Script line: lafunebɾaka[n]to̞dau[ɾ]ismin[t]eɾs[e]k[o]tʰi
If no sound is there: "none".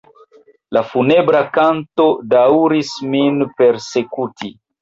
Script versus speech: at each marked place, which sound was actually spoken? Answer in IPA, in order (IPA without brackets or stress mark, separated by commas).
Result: n, ɾ, p, e, u